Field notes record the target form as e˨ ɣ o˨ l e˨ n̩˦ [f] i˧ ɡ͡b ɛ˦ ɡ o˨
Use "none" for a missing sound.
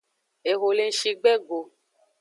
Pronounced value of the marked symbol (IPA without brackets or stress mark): ʃ